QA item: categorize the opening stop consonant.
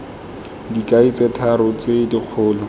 plain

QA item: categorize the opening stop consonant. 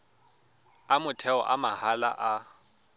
aspirated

